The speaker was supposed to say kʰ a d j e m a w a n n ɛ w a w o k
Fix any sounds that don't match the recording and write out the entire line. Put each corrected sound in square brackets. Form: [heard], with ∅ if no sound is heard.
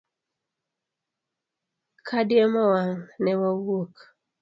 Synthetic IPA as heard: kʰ a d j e m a w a [ŋ] n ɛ w a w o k

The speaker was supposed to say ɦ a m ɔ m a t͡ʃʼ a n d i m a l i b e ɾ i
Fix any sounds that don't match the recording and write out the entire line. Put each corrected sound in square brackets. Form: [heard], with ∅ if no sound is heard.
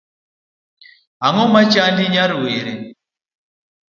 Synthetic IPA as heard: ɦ a [ŋ] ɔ m a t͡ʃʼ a n d i [ɲ] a [ɾ] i [w] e ɾ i

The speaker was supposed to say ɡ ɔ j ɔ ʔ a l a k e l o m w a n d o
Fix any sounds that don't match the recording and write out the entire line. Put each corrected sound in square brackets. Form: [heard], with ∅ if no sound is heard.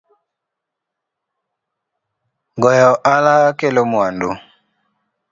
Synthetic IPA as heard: ɡ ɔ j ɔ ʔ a l a k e l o m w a n d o

